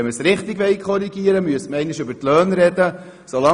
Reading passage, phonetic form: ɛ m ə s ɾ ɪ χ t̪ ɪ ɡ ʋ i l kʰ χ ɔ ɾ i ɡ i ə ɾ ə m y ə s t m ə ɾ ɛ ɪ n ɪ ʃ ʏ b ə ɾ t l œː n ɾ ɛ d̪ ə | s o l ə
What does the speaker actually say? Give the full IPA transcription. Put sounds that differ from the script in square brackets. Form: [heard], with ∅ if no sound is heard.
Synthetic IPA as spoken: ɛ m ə s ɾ ɪ χ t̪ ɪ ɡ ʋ [ɛ] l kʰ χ ɔ ɾ i ɡ i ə ɾ ə m y ə s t m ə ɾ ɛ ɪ n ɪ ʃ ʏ b ə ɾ t l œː n ɾ ɛ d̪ ə | s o l [ɑ]